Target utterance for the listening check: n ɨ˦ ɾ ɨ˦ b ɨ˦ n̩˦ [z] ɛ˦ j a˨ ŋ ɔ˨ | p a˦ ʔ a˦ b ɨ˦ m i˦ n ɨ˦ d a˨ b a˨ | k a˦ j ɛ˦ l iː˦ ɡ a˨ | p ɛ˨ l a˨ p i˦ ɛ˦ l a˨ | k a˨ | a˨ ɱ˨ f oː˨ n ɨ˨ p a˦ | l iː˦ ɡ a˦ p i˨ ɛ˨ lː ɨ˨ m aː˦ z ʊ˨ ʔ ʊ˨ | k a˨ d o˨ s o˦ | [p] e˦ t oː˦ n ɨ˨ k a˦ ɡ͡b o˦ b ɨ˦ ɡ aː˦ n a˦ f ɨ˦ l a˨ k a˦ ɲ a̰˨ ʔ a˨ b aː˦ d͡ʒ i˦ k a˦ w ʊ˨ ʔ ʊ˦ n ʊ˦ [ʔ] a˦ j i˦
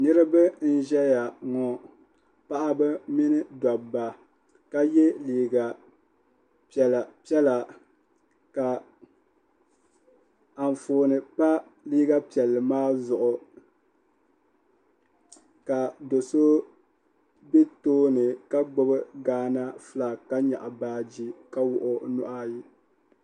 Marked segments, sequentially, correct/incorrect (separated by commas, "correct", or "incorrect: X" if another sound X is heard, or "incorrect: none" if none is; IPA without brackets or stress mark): incorrect: ʒ, incorrect: b, correct